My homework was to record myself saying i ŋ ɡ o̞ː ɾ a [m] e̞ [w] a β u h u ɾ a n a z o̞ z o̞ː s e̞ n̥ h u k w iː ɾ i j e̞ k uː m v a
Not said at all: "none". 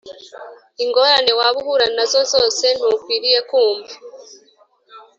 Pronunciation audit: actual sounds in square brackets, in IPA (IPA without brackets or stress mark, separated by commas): n, w